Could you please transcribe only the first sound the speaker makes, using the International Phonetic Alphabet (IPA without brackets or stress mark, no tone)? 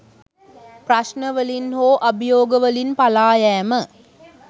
p